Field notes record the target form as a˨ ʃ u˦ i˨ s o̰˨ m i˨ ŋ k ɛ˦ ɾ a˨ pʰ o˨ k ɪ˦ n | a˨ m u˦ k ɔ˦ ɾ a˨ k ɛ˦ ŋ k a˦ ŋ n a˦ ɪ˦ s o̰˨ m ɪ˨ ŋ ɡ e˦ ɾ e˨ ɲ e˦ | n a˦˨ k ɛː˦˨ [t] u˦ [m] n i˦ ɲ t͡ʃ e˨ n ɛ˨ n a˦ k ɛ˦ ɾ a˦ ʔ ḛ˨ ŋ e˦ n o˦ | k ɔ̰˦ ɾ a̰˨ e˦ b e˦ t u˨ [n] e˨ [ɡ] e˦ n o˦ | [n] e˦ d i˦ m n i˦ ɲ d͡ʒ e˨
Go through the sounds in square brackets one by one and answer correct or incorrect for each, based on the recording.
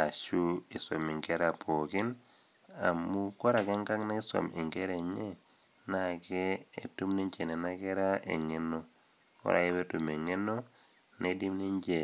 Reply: correct, correct, incorrect: m, incorrect: ŋ, correct

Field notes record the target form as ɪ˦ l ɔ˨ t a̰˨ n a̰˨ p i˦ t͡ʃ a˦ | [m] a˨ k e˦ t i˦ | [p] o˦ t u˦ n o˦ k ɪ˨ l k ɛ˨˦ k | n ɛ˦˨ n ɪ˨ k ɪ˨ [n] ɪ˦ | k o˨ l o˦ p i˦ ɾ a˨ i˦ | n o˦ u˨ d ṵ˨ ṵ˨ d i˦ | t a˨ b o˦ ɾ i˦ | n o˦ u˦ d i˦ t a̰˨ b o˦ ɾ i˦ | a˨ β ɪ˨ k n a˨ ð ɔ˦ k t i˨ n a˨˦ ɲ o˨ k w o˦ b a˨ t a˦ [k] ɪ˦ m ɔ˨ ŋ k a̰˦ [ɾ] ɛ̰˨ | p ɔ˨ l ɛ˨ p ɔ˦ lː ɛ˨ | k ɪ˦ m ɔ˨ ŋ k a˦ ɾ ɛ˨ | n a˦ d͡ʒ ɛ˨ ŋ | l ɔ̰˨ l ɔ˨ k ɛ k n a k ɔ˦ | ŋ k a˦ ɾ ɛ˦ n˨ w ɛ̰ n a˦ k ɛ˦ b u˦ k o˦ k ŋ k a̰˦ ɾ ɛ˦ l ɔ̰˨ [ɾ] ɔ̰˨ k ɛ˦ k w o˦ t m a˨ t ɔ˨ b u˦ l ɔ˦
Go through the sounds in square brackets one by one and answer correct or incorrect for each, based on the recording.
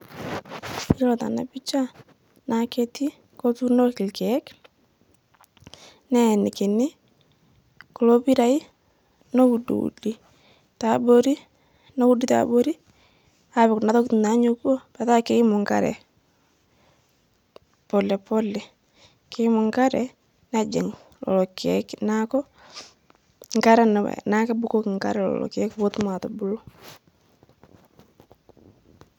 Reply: incorrect: n, incorrect: k, correct, correct, correct, incorrect: l

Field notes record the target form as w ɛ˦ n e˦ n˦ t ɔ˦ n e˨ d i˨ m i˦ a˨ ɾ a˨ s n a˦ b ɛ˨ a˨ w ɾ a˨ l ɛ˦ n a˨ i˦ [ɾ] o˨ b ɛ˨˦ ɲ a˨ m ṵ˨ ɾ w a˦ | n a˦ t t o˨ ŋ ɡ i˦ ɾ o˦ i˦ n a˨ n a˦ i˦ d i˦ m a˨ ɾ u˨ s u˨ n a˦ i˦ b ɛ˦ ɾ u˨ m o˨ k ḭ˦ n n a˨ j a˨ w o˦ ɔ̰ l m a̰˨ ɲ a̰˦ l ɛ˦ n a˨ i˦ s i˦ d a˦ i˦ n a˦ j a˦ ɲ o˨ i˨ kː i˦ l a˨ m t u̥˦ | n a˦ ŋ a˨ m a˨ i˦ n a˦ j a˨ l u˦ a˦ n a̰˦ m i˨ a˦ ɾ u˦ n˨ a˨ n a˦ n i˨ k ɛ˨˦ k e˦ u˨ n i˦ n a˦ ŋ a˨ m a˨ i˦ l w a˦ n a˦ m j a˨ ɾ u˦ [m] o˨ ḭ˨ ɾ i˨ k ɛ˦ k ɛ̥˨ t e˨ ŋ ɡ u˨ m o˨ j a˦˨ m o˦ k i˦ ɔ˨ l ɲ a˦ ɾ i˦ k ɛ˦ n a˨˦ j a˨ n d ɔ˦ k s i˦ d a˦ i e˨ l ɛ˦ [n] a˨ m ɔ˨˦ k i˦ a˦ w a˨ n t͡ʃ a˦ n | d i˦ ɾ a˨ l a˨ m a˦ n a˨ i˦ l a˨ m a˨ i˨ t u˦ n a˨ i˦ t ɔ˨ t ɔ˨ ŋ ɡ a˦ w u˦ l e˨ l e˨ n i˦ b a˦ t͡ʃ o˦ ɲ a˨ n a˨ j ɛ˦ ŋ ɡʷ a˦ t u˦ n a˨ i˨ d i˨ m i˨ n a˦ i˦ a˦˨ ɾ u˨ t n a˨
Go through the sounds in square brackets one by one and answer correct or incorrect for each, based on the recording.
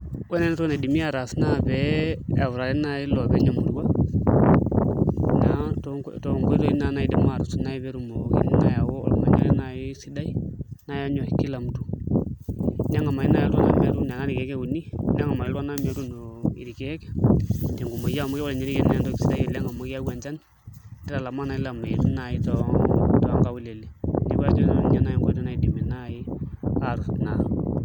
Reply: incorrect: l, incorrect: n, incorrect: ŋ

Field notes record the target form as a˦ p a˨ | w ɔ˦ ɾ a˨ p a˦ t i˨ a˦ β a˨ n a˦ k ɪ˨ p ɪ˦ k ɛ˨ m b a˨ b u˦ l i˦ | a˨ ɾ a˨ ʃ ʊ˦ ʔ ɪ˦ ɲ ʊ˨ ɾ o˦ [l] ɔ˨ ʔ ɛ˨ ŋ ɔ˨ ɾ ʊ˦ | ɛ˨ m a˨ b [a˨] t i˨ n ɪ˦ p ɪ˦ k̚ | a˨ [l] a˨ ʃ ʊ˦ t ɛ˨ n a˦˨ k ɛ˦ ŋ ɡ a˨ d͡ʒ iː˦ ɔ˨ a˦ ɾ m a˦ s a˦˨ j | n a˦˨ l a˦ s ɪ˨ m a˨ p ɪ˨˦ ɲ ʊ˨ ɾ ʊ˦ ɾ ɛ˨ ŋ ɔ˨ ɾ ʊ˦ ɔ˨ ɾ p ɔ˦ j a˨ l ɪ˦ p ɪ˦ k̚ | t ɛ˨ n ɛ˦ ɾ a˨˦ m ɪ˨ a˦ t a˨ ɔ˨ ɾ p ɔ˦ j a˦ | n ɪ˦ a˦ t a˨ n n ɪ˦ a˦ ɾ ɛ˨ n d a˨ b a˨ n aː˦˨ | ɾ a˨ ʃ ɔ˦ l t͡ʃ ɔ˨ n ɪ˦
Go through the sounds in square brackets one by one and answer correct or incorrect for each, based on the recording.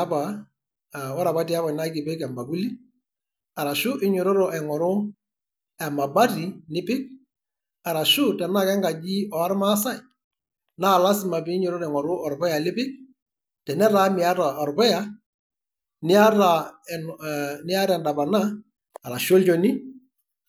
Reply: incorrect: ɾ, incorrect: a˦, incorrect: ɾ

